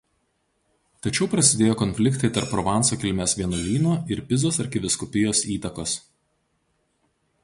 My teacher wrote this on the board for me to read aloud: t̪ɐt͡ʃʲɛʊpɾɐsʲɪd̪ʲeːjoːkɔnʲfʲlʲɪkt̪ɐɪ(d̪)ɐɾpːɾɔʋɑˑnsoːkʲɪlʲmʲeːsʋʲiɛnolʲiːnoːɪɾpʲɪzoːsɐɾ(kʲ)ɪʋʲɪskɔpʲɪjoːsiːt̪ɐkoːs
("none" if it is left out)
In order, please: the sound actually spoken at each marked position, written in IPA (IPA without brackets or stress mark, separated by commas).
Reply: t̪, kʲ